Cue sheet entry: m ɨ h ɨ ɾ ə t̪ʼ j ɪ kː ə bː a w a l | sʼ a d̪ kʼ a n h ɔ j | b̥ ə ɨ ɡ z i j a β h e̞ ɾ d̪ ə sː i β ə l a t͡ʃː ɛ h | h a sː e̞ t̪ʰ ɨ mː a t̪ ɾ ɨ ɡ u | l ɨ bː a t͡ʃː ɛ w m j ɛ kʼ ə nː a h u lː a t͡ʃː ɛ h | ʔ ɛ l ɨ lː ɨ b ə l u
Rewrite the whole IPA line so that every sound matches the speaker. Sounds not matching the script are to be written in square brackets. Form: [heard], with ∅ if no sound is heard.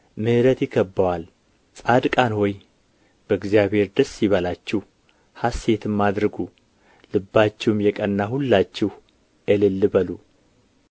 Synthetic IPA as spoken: m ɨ h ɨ ɾ ə [t̪] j ɪ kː ə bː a w a l | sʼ a d̪ kʼ a n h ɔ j | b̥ ə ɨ ɡ z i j a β h e̞ ɾ d̪ ə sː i β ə l a t͡ʃː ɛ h | h a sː e̞ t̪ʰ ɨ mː a [d̪] ɾ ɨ ɡ u | l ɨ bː a t͡ʃː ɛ w m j ɛ kʼ ə nː a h u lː a t͡ʃː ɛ h | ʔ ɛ l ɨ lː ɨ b ə l u